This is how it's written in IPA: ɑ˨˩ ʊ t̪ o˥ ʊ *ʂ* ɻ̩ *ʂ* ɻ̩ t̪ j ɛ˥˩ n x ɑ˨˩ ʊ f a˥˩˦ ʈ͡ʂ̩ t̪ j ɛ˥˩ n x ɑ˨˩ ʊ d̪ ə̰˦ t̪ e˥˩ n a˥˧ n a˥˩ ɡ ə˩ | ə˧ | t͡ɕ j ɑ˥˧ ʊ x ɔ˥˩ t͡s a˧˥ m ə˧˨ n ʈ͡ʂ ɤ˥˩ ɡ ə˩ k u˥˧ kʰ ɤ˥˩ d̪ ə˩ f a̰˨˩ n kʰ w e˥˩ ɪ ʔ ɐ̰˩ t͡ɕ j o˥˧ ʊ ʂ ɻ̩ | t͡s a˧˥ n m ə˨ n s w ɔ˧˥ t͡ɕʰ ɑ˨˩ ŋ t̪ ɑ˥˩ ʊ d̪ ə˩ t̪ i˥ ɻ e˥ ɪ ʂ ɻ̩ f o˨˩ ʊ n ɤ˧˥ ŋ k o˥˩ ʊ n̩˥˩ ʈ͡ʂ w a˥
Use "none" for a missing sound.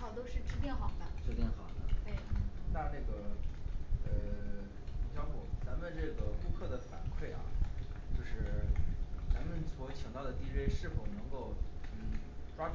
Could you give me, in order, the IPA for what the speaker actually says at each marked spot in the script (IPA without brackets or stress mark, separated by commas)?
ʂ, ʈ͡ʂ